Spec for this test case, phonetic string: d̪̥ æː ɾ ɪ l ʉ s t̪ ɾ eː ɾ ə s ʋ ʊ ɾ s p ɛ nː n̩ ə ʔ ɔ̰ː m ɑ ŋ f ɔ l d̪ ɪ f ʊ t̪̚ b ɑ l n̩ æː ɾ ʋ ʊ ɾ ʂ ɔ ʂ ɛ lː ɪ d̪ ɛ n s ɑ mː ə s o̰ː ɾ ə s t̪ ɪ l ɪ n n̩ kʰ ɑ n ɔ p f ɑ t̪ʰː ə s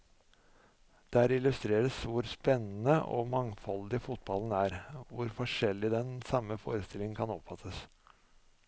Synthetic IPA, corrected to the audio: d̪̥ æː ɾ ɪ l ʉ s t̪ ɾ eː ɾ ə s ʋ ʊ ɾ s p ɛ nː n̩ ə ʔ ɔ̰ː m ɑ ŋ f ɔ l d̪ ɪ f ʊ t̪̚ b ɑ l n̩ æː ɾ ʋ ʊ ɾ f ɔ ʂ ɛ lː ɪ d̪ ɛ n s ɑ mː ə f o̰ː ɾ ə s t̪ ɪ l ɪ ŋ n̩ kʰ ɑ n ɔ p f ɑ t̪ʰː ə s

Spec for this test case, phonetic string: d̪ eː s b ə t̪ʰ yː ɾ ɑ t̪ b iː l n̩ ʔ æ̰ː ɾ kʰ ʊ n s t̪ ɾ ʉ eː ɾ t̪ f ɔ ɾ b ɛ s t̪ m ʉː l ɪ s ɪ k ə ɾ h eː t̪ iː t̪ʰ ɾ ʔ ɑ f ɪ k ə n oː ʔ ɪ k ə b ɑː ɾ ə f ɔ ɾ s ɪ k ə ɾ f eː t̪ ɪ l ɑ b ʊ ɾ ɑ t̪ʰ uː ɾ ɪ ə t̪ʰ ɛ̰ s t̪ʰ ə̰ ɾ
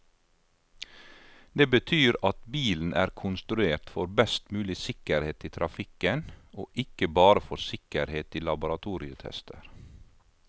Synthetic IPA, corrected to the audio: d̪ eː b ə t̪ʰ yː ɾ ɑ t̪ b iː l n̩ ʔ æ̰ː ɾ kʰ ʊ n s t̪ ɾ ʉ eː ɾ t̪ f ɔ ɾ b ɛ s t̪ m ʉː l ɪ s ɪ k ə ɾ h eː t̪ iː t̪ʰ ɾ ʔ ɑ f ɪ k ə n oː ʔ ɪ k ə b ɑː ɾ ə f ɔ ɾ s ɪ k ə ɾ h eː t̪ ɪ l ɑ b ʊ ɾ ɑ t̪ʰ uː ɾ ɪ ə t̪ʰ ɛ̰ s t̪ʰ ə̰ ɾ

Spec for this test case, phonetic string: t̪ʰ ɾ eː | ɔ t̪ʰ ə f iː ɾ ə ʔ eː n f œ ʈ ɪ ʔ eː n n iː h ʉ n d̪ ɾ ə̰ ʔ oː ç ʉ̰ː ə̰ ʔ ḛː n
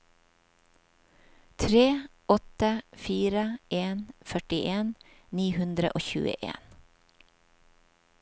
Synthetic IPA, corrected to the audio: t̪ʰ ɾ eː | ɔ t̪ ə f iː ɾ ə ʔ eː n f œ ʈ ɪ ʔ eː n n iː h ʉ n d̪ ɾ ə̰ ʔ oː ç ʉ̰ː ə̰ ʔ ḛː n

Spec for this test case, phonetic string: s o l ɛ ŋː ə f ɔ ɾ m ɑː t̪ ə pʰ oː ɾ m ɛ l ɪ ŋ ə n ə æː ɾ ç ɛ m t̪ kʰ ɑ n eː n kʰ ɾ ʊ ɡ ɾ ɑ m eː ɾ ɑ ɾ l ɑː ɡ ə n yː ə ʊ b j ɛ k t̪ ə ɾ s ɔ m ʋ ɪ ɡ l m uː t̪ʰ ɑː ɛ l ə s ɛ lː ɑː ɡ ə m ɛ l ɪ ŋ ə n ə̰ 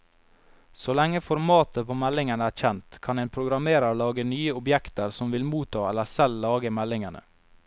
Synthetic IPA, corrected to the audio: s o l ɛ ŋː ə f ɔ ɾ m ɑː t̪ ə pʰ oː m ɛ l ɪ ŋ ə n ə æː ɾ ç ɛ n t̪ kʰ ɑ n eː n pʰ ɾ ʊ ɡ ɾ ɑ m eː ɾ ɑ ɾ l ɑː ɡ ə n yː ə ʊ b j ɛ k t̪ ə ɾ s ɔ m ʋ ɪ l m uː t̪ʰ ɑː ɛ l ə s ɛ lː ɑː ɡ ə m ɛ l ɪ ŋ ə n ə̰

